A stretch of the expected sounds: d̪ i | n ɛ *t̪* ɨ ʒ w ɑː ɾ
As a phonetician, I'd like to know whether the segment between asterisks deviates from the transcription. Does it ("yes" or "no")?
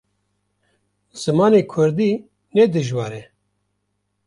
yes